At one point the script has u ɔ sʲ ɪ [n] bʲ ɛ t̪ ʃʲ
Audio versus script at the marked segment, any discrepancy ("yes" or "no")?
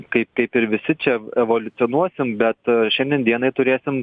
yes